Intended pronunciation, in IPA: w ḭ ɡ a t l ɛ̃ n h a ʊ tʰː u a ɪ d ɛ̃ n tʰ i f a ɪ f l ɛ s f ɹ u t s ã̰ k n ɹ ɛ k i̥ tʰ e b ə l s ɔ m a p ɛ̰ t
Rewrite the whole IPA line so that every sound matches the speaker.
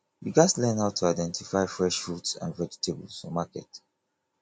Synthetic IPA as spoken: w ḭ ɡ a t l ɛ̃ n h a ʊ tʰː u a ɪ d ɛ̃ n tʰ i f a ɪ f ɹ ɛ ʃ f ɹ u t s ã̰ n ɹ ɛ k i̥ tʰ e b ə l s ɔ m a k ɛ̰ t